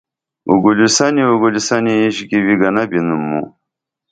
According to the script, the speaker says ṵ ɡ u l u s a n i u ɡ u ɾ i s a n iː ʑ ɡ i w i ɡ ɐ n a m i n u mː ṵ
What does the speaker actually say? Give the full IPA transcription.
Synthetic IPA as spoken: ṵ ɡ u l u s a n i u ɡ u l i s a n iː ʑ ɡ i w i ɡ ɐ n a b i n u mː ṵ